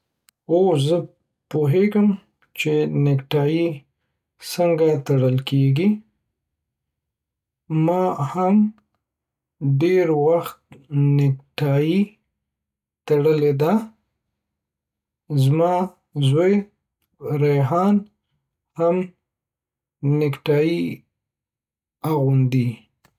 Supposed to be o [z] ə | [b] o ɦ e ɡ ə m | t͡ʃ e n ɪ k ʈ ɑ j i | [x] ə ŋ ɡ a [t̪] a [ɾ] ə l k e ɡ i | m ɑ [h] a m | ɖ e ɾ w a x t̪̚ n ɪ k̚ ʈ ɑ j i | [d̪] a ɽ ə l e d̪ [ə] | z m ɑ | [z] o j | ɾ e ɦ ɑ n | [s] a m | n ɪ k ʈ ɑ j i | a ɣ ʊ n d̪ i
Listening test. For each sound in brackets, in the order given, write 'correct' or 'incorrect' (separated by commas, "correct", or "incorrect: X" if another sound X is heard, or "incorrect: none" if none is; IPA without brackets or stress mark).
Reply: correct, incorrect: p, incorrect: s, correct, incorrect: ɽ, correct, incorrect: t̪, incorrect: a, correct, incorrect: h